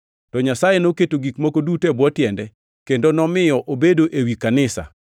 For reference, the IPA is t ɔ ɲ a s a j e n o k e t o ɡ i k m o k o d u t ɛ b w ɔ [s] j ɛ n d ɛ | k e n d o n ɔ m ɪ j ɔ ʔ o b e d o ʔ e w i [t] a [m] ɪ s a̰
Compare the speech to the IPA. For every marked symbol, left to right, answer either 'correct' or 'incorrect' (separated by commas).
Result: incorrect, incorrect, incorrect